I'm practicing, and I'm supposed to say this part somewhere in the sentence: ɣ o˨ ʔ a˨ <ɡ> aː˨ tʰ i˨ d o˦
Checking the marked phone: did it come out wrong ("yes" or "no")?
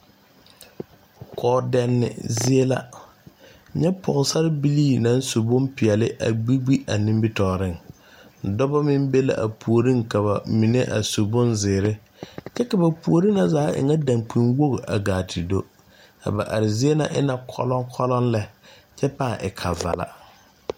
no